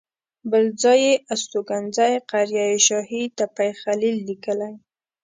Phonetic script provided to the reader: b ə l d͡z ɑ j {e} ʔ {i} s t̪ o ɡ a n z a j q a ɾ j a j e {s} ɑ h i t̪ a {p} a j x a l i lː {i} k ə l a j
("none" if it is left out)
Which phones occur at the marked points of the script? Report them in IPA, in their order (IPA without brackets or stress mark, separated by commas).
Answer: e, a, ʃ, p, i